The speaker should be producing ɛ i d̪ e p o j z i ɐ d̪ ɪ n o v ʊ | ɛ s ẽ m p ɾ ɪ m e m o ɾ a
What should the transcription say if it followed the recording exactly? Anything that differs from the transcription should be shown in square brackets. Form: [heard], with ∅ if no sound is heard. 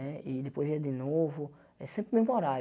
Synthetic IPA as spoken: ɛ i d̪ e p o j z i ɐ d̪ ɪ n o v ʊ | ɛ s ẽ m p ɾ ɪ m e m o ɾ a